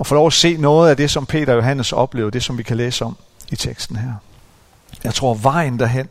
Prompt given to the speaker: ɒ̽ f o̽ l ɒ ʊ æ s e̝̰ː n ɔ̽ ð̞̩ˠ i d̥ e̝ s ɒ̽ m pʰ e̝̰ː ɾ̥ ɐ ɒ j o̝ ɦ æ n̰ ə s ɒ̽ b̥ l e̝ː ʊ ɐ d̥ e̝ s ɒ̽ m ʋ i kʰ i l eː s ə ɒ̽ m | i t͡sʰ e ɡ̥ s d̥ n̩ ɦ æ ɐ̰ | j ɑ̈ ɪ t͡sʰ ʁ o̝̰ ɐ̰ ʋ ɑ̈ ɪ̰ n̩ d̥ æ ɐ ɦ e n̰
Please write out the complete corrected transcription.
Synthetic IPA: ɒ̽ f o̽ l ɒ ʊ æ s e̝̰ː n ɔ̽ː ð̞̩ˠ æ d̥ e̝ s ɒ̽ m pʰ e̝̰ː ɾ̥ ɐ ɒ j o̝ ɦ æ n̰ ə s ɒ̽ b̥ l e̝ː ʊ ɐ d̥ e̝ s ɒ̽ m ʋ i kʰ æ l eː s ə ɒ̽ m | i t͡sʰ e ɡ̥ s d̥ n̩ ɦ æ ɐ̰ | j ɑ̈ ɪ t͡sʰ ʁ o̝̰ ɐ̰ ʋ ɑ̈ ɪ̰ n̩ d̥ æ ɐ ɦ e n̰